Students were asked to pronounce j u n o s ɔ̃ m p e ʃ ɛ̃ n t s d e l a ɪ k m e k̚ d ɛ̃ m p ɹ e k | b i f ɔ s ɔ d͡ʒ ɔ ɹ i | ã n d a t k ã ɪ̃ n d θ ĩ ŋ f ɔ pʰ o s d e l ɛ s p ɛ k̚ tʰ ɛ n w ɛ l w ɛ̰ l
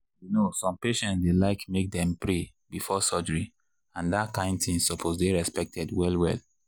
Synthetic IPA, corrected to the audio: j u n o s ɔ̃ m p e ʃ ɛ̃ n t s d e l a ɪ k m e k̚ d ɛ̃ m p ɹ e | b i f ɔ s ɔ d͡ʒ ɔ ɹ i | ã n d a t k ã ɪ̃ n d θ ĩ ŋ s ɔ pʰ o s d e ɹ ɛ s p ɛ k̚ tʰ ɛ d w ɛ l w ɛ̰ l